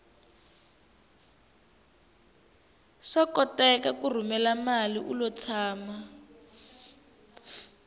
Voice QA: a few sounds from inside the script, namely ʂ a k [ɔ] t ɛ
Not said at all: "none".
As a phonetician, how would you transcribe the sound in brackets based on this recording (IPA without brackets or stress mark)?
ɔ